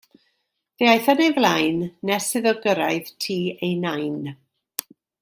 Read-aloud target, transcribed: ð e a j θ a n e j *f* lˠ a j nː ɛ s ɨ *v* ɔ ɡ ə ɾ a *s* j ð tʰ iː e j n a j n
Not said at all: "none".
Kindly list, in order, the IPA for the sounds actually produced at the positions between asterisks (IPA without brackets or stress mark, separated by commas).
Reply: v, ð, none